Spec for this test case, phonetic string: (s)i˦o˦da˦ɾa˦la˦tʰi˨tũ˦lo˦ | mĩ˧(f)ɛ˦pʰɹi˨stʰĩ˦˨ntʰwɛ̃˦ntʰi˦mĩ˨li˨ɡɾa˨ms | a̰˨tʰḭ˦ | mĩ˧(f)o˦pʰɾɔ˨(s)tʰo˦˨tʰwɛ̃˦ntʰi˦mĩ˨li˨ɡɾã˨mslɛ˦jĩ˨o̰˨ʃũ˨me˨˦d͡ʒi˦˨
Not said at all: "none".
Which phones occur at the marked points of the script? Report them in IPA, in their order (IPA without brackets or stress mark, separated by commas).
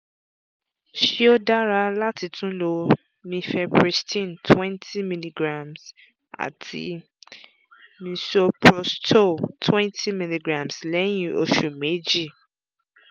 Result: ʃ, f, s, s